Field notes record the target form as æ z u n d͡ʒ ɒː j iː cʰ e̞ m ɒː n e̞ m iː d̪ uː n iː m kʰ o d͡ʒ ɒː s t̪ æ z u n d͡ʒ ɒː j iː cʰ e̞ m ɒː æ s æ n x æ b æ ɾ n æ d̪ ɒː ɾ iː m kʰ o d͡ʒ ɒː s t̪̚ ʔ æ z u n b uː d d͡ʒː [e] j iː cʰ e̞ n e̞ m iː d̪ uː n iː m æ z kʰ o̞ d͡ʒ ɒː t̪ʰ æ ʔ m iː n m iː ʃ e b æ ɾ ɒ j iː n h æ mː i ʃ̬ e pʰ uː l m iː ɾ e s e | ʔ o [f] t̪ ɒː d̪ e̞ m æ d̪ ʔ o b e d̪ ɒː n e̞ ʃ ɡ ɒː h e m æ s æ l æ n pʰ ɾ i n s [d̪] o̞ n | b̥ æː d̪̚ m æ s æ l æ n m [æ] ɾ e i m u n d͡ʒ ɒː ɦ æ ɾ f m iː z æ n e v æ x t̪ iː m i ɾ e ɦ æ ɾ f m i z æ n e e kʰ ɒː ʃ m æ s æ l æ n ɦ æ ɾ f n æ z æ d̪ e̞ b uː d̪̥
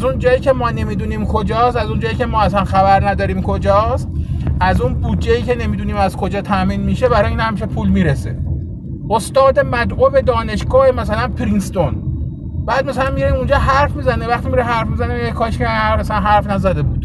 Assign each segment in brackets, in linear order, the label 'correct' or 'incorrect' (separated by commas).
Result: correct, incorrect, incorrect, incorrect